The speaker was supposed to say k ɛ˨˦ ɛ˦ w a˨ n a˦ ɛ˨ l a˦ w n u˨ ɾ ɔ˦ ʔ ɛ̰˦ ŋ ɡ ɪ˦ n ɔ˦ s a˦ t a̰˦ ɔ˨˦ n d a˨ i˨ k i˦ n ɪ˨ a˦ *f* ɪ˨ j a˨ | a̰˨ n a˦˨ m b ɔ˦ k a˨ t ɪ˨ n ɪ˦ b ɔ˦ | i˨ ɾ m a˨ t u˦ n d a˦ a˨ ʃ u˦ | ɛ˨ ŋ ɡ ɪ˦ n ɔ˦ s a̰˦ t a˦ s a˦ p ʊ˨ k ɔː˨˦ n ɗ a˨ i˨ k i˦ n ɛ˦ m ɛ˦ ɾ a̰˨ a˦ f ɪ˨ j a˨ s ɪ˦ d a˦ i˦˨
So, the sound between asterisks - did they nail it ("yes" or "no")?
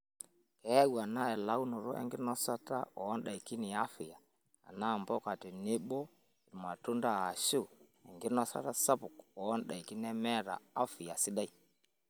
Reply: yes